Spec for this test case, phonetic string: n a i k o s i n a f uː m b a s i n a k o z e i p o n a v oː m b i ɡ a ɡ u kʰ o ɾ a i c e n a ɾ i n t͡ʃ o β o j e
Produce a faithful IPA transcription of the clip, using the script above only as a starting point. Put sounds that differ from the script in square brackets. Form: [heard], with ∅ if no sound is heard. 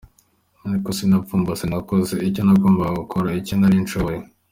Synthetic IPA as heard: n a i k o s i n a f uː m b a s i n a k o z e i [c] o n a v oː m b [a] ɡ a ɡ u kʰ o ɾ a i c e n a ɾ i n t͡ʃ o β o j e